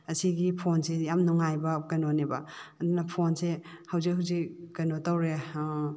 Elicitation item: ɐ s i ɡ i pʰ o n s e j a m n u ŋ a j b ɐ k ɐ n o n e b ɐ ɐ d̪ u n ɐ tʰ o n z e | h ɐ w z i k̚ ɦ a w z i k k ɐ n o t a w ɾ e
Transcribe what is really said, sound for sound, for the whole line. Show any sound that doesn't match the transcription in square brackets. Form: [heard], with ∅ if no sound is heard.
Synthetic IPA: ɐ s i ɡ i pʰ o n s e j a m n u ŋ a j b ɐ k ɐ n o n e b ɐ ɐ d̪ u n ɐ [pʰ] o n [s] e | h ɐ w z i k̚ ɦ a w z i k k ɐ n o t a w ɾ e